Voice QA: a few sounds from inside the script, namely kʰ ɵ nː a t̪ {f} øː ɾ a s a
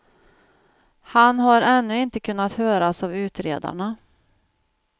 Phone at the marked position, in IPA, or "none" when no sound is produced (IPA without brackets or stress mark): h